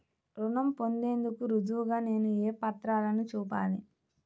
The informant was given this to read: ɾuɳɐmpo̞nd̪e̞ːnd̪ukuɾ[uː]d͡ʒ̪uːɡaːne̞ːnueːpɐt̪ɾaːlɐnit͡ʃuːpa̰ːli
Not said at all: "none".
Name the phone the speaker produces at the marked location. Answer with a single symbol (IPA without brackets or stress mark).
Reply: u